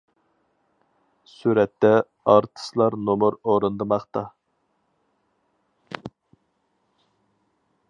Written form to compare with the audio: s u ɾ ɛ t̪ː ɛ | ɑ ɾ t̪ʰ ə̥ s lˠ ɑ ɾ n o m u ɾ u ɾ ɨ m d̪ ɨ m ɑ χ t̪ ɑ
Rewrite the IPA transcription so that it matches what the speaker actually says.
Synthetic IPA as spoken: s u ɾ ɛ t̪ː ɛ | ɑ ɾ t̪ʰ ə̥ s lˠ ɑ ɾ n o m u ɾ o ɾ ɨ n d̪ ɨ m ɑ χ t̪ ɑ